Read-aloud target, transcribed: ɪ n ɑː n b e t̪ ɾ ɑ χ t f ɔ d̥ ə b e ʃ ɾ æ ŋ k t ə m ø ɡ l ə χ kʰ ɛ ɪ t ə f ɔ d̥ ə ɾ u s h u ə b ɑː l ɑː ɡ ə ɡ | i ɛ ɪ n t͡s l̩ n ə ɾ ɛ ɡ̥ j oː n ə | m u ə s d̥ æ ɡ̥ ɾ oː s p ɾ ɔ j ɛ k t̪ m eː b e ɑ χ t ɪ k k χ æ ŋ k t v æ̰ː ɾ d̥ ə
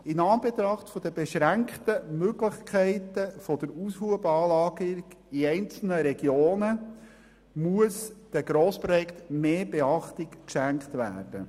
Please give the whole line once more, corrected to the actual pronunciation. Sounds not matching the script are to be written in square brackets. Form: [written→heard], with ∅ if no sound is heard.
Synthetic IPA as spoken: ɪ n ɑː n b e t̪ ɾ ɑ χ t f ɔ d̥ ə b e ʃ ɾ æ ŋ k t ə m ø ɡ l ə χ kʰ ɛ ɪ t ə f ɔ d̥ ə ɾ u s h u ə b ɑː l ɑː ɡ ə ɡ | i ɛ ɪ n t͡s l̩ n ə ɾ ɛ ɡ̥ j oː n ə | m u ə s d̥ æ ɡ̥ ɾ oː s p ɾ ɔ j ɛ k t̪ m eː b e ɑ χ t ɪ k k [χ→ʃ] æ ŋ k t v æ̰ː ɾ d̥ ə